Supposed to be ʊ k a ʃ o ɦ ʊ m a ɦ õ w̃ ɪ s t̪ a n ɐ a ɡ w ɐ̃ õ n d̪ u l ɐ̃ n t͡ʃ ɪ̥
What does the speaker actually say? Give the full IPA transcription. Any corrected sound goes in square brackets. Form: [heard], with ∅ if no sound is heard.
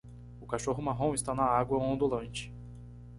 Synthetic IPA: ʊ k a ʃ o ɦ ʊ m a ɦ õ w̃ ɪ s t̪ a n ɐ a ɡ w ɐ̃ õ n d̪ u l ɐ̃ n t͡ʃ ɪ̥